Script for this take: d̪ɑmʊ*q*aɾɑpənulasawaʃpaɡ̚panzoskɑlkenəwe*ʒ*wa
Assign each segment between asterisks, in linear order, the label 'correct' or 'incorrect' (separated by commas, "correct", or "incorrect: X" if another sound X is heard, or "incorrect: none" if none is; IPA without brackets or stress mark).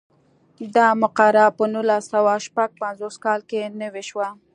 correct, incorrect: ʃ